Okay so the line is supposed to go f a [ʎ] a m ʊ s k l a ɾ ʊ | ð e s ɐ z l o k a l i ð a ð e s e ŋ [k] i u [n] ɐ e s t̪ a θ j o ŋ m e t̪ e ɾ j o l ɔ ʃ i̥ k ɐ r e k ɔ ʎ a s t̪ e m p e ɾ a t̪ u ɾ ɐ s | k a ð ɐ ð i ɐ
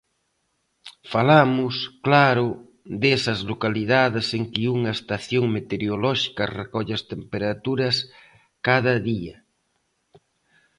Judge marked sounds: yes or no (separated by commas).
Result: no, yes, no